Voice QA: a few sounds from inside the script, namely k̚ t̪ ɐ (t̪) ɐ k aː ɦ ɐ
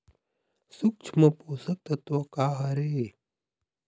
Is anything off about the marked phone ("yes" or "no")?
no